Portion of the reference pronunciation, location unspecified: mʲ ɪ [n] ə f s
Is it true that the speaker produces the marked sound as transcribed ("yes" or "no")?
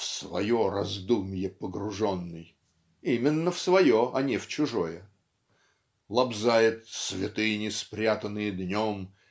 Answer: no